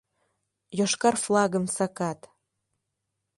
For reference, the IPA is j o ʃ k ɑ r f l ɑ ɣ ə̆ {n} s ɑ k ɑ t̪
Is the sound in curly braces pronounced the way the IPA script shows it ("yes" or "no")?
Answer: no